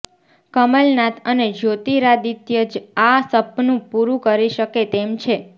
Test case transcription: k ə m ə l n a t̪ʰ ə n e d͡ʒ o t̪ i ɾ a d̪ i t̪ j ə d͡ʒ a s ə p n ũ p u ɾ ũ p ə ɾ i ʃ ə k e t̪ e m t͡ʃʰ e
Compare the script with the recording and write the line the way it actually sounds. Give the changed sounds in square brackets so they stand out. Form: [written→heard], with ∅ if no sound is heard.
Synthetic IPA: k ə m ə l n a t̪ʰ ə n e d͡ʒ o t̪ i ɾ a d̪ i t̪ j ə d͡ʒ a s ə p n ũ p u ɾ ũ [p→k] ə ɾ i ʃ ə k e t̪ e m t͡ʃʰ e